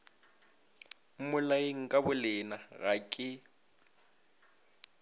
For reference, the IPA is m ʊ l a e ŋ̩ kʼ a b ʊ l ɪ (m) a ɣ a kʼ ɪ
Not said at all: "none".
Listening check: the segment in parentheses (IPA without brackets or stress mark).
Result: n